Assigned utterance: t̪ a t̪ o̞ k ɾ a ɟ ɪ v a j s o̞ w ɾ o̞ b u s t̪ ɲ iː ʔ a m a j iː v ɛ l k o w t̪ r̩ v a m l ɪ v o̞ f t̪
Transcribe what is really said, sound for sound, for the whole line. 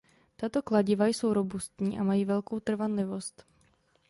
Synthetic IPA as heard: t̪ a t̪ o̞ k l a ɟ ɪ v a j s o̞ w ɾ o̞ b u s t̪ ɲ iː ʔ a m a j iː v ɛ l k o w t̪ r̩ v a n l ɪ v o̞ s t̪